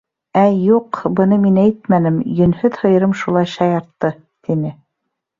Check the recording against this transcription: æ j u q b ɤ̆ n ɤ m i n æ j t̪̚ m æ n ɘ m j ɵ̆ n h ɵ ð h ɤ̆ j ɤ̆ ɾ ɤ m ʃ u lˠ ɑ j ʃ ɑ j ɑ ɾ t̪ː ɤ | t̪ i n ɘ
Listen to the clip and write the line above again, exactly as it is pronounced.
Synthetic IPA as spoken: æ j u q b ɤ̆ n ɤ m i n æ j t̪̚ m æ n ɘ m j ɵ̆ n h ɵ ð h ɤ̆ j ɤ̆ ɾ ɤ m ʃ u lˠ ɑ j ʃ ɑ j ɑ ɾ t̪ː ɤ | t̪ i n ɘ